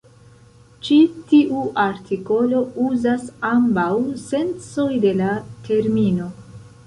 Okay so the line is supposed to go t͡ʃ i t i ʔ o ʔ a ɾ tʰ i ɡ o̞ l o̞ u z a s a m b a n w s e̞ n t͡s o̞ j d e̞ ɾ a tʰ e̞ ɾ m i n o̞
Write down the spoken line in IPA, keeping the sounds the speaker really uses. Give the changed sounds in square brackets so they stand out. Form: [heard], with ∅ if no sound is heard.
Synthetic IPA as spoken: t͡ʃ i t i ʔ [u] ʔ a ɾ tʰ i [k] o̞ l o̞ u z a s a m b a [∅] w s e̞ n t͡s o̞ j d e̞ [l] a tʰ e̞ ɾ m i n o̞